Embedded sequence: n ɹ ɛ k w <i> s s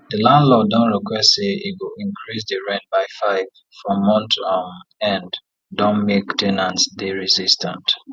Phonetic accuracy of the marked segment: incorrect: ɛ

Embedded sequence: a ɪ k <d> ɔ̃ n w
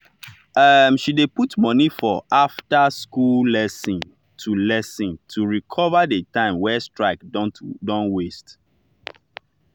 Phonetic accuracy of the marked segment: correct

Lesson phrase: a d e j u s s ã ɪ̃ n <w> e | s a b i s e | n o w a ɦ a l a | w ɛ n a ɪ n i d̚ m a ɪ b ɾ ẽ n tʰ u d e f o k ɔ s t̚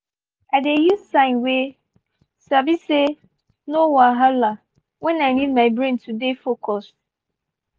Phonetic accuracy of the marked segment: correct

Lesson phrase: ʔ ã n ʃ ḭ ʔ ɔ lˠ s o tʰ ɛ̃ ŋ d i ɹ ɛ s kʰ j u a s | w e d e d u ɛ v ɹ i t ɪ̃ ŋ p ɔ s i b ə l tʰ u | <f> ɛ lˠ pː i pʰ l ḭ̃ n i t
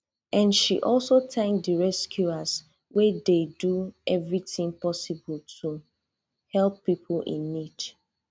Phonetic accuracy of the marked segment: incorrect: h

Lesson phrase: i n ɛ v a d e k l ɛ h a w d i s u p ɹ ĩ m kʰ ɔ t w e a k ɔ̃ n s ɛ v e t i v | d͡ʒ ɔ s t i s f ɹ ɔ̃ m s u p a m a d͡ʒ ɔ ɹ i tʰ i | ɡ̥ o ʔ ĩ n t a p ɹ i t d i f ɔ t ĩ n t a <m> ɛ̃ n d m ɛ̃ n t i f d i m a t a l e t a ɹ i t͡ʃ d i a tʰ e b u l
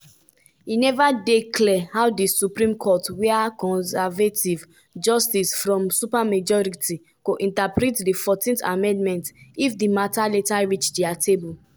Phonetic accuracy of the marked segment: correct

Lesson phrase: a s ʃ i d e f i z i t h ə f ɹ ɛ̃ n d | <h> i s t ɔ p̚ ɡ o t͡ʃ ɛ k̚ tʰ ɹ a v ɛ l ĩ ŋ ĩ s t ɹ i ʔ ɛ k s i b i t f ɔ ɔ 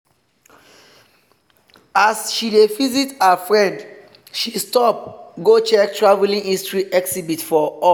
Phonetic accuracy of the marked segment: incorrect: ʃ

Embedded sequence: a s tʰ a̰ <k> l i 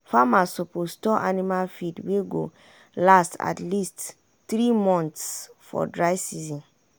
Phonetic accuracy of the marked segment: incorrect: t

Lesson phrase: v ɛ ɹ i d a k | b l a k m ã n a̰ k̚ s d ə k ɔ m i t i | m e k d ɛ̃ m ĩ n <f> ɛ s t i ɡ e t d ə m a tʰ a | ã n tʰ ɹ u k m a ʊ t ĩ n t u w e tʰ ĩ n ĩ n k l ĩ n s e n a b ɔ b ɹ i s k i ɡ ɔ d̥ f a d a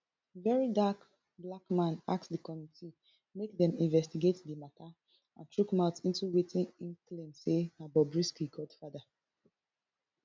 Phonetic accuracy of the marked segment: incorrect: v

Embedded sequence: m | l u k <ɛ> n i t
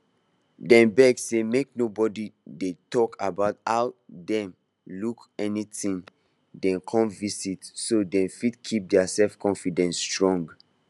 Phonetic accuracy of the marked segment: correct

